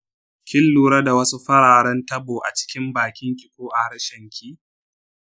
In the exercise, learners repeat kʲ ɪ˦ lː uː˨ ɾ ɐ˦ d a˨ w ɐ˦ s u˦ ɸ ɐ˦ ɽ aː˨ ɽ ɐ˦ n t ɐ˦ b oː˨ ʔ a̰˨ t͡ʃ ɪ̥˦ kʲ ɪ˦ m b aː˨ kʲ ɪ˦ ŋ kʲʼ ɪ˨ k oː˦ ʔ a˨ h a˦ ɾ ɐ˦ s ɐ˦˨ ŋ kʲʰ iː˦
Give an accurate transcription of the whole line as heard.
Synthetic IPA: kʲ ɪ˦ lː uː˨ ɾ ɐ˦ d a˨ w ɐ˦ s u˦ ɸ ɐ˦ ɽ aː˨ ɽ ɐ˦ n t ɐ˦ b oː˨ ʔ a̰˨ t͡ʃ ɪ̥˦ kʲ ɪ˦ m b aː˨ kʲ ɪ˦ ŋ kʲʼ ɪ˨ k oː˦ ʔ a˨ h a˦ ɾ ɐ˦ ʃ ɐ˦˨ ŋ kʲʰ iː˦